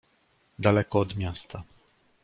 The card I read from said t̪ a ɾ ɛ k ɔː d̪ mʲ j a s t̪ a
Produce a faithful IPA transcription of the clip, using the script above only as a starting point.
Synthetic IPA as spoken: d̪ a l ɛ k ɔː d̪ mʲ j a s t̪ a